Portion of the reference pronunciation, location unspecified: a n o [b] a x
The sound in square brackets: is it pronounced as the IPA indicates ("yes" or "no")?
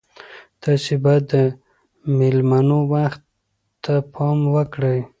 no